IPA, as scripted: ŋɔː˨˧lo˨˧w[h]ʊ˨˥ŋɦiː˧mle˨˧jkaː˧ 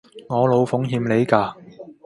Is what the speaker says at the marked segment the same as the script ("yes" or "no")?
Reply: no